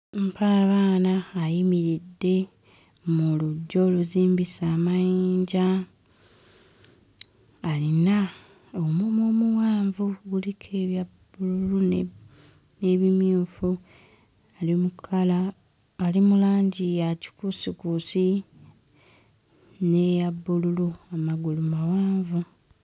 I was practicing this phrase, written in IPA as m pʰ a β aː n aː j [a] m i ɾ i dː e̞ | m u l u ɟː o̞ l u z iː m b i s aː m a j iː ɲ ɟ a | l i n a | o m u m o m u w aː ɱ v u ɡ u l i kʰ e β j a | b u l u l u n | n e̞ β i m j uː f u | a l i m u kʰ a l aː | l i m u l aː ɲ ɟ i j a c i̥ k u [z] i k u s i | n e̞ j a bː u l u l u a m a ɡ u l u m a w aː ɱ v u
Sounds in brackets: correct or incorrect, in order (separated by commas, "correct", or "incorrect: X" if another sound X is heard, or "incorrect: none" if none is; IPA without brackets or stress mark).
incorrect: i, incorrect: s